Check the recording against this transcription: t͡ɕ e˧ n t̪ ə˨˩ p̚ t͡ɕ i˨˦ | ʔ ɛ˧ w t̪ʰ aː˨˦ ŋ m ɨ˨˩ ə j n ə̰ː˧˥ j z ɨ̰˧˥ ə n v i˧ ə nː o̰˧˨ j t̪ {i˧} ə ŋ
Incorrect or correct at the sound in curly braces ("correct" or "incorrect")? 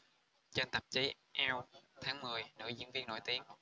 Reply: correct